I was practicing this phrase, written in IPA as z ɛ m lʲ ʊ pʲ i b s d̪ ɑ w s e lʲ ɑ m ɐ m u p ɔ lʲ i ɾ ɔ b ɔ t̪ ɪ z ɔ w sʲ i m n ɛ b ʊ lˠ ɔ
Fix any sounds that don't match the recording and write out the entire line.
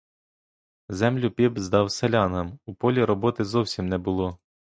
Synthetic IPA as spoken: z ɛ m lʲ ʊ pʲ i b z d̪ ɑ w s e lʲ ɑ n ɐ m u p ɔ lʲ i ɾ ɔ b ɔ t̪ ɪ z ɔ w sʲ i m n ɛ b ʊ lˠ ɔ